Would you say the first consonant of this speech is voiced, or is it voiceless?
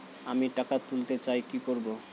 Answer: voiced